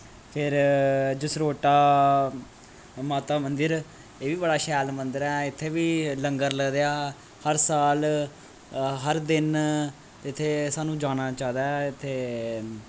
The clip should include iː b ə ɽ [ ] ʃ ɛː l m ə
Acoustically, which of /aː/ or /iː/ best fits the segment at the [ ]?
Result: aː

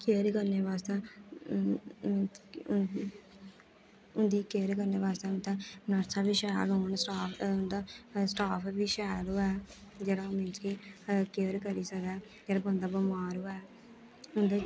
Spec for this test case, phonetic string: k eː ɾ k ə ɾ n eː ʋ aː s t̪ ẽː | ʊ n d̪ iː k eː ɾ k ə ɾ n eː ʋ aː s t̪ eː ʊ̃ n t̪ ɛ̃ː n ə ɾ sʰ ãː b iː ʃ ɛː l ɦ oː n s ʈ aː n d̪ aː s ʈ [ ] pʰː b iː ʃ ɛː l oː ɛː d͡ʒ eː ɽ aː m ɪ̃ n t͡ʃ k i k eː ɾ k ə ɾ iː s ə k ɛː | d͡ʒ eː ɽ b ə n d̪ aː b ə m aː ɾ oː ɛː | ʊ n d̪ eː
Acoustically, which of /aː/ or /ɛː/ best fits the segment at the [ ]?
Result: aː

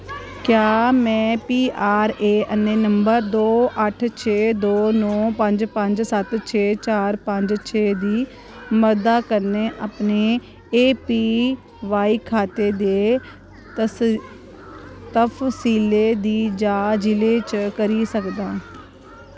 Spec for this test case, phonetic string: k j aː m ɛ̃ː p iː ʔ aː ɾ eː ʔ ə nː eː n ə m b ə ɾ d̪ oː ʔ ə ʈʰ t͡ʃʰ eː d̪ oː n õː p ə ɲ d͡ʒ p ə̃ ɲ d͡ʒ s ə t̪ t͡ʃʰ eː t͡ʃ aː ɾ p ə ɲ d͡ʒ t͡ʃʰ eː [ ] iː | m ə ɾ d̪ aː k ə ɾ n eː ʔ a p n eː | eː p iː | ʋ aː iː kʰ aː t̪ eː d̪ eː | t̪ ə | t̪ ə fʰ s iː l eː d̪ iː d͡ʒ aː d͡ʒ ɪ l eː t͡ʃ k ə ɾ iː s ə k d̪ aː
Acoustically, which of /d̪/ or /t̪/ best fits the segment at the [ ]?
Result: d̪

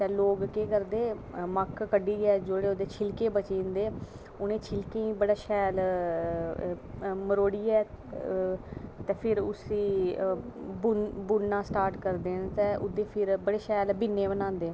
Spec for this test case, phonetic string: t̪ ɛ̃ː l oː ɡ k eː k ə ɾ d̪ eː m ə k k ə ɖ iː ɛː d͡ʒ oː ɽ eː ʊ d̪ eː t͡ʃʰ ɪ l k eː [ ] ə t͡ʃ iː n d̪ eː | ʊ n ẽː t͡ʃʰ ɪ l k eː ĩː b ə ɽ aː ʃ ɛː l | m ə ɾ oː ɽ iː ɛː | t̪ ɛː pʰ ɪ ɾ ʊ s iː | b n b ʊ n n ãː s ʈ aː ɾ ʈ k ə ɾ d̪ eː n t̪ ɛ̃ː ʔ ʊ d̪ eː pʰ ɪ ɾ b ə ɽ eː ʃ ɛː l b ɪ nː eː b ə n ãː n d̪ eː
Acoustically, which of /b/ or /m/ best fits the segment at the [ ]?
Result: b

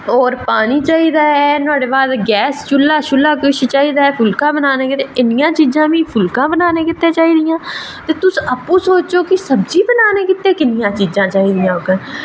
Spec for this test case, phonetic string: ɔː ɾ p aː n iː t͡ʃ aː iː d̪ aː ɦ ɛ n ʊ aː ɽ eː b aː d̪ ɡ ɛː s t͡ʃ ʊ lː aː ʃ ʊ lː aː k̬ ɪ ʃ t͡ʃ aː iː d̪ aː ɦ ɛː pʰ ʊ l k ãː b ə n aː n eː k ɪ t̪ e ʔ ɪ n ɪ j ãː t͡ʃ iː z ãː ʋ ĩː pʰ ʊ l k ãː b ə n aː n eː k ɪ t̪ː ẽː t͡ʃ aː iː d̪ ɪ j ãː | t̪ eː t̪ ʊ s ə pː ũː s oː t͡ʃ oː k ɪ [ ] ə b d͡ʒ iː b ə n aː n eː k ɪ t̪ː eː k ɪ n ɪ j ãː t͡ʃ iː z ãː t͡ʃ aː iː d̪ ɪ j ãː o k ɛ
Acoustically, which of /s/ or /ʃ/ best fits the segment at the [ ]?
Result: s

